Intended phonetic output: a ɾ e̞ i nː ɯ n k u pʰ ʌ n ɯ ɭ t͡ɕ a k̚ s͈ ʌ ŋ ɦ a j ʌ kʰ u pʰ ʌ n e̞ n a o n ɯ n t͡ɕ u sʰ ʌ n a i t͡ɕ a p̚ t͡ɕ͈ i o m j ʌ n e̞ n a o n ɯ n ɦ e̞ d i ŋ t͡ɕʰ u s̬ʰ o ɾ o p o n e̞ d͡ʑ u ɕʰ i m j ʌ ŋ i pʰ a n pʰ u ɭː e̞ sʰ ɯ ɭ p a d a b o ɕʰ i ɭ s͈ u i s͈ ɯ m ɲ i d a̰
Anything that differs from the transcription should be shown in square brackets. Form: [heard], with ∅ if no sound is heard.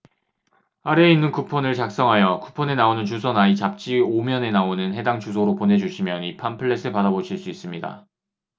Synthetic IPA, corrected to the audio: a ɾ e̞ i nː ɯ n k u pʰ ʌ n ɯ ɭ t͡ɕ a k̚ s͈ ʌ ŋ ɦ a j ʌ [k] u pʰ ʌ n e̞ n a o n ɯ n t͡ɕ u sʰ ʌ n a i t͡ɕ a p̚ t͡ɕ͈ i o m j ʌ n e̞ n a o n ɯ n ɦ e̞ d [a] ŋ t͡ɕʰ u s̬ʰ o ɾ o p o n e̞ d͡ʑ u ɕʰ i m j ʌ [n] i pʰ a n pʰ [ɯ] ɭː e̞ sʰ ɯ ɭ p a d a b o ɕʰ i ɭ s͈ u i s͈ ɯ m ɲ i d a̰